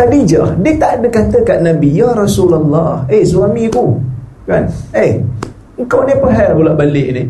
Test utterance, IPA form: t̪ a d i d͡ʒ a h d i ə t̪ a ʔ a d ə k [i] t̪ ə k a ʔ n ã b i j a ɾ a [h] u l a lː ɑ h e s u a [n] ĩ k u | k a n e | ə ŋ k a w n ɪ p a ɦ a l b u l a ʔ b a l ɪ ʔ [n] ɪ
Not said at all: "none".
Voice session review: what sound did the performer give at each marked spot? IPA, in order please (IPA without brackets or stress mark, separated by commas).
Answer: a, s, m, n